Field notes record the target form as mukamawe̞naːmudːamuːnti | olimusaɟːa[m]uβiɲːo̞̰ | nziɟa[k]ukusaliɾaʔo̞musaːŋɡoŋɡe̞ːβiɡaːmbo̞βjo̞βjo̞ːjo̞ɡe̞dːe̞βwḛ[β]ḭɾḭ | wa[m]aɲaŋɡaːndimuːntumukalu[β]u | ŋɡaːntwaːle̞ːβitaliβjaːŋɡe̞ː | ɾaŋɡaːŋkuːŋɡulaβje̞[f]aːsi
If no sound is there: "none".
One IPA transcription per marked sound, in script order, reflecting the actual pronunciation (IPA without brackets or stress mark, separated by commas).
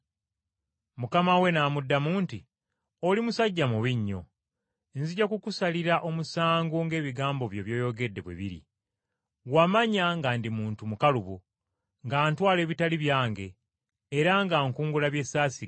m, k, β, m, β, s